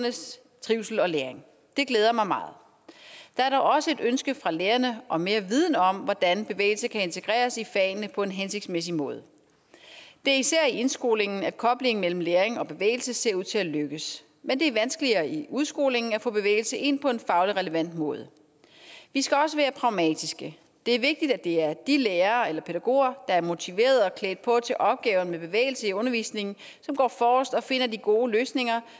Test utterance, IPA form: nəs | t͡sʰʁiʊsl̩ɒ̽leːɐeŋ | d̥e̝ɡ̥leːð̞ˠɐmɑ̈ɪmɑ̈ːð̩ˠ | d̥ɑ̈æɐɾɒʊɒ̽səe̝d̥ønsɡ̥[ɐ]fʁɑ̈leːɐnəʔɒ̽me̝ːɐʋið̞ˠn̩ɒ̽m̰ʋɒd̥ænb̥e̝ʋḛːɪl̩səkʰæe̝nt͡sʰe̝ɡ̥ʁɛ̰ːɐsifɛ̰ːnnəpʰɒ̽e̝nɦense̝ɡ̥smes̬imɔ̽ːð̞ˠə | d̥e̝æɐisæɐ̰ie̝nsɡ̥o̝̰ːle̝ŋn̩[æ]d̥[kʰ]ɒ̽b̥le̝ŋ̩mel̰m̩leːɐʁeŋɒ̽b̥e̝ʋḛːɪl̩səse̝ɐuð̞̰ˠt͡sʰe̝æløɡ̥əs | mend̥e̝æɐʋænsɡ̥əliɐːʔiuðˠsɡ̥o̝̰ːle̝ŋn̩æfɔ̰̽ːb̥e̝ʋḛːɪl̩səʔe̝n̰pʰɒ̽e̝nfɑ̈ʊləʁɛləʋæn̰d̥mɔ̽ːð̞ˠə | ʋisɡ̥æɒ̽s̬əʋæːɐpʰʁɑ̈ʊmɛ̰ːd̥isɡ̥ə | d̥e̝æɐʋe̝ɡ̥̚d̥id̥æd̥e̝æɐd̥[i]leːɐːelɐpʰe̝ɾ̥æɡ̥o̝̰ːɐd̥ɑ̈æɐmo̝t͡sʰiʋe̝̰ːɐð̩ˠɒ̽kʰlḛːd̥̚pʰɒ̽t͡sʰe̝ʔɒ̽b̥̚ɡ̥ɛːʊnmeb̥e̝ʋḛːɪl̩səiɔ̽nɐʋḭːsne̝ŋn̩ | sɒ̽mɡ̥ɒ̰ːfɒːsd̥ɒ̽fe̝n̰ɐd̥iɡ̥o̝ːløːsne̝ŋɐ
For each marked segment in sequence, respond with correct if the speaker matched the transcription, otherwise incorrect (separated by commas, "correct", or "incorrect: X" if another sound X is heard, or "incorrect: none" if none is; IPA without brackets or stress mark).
incorrect: ə, correct, correct, correct